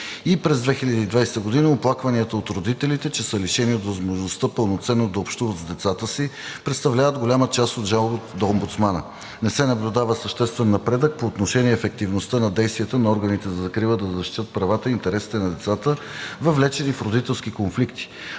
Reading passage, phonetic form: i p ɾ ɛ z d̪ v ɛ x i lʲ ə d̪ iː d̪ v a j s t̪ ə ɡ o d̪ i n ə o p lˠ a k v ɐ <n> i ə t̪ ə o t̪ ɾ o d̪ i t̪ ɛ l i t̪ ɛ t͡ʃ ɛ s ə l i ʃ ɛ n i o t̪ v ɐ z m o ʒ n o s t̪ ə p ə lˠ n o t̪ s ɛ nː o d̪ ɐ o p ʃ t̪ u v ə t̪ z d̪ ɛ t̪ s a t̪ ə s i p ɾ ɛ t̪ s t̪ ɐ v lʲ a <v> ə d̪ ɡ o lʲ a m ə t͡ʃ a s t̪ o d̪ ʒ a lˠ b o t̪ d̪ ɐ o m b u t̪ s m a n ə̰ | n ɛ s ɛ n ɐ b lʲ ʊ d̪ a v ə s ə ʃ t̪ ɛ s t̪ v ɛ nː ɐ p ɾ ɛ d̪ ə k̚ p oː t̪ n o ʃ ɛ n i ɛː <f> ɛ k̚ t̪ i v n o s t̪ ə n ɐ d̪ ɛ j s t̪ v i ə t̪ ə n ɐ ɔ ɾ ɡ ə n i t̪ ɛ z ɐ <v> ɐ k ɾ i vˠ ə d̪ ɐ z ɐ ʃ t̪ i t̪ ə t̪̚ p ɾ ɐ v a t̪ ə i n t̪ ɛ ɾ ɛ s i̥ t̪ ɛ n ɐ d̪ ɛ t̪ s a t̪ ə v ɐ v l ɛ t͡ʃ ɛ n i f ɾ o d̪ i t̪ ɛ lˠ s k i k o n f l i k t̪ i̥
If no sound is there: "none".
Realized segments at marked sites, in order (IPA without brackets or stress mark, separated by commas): n, v, f, z